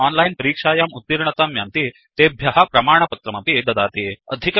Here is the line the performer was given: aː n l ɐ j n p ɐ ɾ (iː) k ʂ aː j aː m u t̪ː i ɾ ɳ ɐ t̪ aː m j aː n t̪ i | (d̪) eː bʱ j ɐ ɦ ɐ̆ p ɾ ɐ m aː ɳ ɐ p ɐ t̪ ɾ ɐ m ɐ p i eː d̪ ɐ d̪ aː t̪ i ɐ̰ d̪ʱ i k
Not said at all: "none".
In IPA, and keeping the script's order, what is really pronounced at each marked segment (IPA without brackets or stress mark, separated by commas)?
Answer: iː, t̪